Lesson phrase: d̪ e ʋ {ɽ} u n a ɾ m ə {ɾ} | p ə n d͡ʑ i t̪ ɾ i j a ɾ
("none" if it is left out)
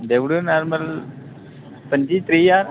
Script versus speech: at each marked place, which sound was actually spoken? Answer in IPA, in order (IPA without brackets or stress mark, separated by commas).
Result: ɽ, l